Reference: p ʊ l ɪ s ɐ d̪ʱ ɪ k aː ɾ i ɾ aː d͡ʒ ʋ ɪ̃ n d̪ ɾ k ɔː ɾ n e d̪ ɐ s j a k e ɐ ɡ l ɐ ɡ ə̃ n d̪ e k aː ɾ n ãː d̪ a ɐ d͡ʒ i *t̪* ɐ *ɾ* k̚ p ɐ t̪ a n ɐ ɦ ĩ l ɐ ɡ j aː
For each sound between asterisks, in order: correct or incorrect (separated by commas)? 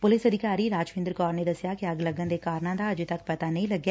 correct, incorrect